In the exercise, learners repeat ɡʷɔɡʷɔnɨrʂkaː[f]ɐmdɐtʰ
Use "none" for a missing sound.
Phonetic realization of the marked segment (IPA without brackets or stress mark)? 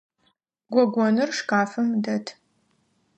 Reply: f